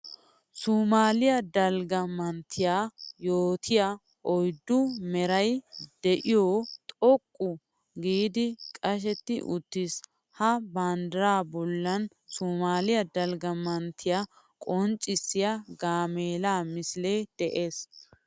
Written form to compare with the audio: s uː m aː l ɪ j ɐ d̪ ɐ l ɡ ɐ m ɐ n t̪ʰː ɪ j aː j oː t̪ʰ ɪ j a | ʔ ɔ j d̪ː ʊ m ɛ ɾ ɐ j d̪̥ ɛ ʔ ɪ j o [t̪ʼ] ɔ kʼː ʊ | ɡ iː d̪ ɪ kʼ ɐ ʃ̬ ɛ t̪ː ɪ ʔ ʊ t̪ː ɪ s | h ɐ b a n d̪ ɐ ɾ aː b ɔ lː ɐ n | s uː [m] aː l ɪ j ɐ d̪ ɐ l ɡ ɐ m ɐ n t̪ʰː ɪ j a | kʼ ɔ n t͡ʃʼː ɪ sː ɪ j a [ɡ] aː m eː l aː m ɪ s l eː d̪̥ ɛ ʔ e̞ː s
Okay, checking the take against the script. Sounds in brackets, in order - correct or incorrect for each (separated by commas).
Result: correct, correct, correct